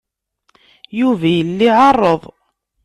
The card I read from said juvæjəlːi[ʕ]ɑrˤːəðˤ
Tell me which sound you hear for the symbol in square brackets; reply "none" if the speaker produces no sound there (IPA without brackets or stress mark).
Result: ʕ